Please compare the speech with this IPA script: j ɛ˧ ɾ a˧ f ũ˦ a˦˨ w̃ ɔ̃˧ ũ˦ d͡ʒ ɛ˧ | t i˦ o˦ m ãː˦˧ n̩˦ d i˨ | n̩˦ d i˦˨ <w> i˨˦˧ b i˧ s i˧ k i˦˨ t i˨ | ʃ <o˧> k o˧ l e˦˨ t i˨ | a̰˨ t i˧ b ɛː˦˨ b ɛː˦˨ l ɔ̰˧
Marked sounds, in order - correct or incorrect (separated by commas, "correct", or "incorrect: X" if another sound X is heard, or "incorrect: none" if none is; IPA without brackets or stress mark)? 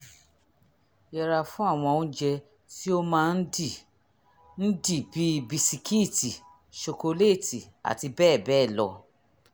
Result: incorrect: b, correct